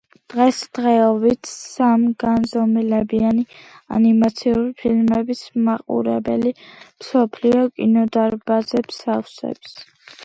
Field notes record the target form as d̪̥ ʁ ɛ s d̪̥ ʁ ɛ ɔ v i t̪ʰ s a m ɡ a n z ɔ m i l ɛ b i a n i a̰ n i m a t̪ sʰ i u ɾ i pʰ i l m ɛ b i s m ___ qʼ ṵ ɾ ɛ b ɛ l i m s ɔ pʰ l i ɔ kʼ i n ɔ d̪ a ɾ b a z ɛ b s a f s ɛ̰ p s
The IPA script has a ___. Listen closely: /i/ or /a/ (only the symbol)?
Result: a